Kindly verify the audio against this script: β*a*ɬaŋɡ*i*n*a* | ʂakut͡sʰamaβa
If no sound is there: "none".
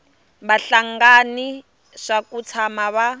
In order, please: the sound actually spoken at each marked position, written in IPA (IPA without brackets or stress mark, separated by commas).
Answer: a, a, i